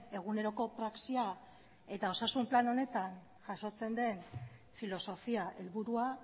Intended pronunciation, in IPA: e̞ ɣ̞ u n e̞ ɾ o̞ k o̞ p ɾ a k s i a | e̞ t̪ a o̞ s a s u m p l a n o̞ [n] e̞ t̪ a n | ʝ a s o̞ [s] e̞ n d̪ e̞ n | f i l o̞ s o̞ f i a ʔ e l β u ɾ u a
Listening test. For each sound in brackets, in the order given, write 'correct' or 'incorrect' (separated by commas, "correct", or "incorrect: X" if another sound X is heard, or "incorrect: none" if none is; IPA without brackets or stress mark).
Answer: correct, incorrect: t͡s